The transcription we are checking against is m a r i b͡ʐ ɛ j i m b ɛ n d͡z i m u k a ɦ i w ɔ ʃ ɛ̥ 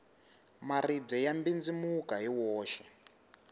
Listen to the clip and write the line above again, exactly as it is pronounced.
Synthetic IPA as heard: m a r i b͡ʐ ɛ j a m b i n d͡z i m u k a ɦ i w ɔː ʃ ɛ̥